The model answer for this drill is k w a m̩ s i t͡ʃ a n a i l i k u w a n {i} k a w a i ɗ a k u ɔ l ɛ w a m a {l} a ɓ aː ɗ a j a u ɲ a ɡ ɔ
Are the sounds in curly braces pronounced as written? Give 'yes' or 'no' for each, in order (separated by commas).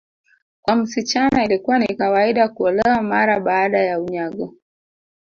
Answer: yes, no